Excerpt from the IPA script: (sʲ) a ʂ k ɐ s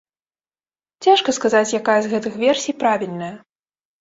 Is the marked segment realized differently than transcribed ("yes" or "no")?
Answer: yes